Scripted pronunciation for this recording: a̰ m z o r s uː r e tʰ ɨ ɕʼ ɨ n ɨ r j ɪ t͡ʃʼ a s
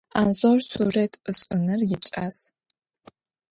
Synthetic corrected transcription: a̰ n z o r s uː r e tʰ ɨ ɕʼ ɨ n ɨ r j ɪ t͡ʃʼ a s

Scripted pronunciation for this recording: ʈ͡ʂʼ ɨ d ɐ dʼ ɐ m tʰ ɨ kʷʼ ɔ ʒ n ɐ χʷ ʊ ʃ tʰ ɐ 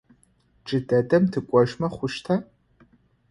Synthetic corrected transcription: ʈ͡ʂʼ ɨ d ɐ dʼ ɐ m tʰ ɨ kʷʼ ɔ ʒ m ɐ χʷ ʊ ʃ tʰ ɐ

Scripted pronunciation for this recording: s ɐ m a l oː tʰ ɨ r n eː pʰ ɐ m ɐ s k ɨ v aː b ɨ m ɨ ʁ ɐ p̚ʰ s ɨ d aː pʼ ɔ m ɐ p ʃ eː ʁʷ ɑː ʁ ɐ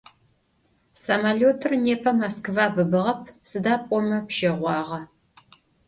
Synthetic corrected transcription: s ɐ m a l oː tʰ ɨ r n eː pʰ ɐ m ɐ s k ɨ v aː b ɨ b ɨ ʁ ɐ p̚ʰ s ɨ d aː pʼ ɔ m ɐ p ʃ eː ʁʷ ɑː ʁ ɐ

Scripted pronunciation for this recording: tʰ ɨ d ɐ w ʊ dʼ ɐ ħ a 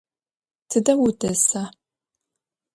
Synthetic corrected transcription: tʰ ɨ d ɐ w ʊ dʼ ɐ s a

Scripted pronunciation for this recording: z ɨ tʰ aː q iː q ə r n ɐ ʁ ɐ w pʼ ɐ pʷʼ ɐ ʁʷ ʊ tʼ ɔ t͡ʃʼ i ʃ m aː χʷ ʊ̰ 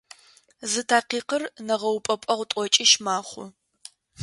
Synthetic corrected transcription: z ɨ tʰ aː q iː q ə r n ɐ ʁ ɐ w pʼ ɐ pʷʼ ɐ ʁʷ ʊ tʼ ɔ t͡ʃʼ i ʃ m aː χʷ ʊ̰

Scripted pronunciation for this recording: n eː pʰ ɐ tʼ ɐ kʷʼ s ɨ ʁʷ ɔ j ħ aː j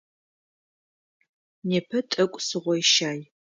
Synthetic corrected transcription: n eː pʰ ɐ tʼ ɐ kʷʼ s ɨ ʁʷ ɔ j ʃ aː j

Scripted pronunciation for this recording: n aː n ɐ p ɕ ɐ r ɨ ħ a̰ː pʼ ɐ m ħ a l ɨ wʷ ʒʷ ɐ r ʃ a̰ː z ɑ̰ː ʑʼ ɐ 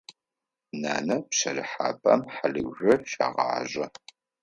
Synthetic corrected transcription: n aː n ɐ p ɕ ɐ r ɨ ħ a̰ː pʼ ɐ m ħ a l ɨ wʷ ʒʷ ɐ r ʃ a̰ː ʁ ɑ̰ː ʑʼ ɐ

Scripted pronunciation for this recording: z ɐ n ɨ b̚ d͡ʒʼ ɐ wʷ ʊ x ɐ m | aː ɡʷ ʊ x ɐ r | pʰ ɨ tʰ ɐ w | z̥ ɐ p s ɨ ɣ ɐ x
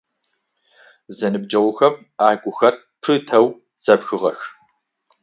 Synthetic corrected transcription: z ɐ n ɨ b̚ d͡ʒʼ ɐ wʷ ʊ x ɐ m | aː ɡʷ ʊ x ɐ r | pʰ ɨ tʰ ɐ w | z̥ ɐ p x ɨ ʁ ɐ x

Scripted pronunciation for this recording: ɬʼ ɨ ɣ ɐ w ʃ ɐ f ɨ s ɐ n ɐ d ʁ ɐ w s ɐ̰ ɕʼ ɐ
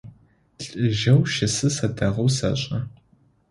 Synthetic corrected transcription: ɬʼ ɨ ʒ ɐ w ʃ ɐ s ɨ s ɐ d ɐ ʁ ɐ w s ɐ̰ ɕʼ ɐ

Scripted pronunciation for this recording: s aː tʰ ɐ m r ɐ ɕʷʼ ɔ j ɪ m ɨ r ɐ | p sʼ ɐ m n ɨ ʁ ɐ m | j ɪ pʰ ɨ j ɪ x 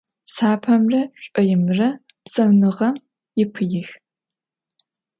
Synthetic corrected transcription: s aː pʰ ɐ m r ɐ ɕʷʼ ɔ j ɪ m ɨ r ɐ | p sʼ ɐ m n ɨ ʁ ɐ m | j ɪ pʰ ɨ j ɪ x

